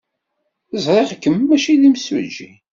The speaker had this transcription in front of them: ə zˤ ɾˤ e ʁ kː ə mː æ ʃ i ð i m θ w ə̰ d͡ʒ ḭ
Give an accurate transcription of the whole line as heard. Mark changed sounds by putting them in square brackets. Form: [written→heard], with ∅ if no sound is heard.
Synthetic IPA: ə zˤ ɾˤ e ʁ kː ə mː æ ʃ i ð i m [θ→s] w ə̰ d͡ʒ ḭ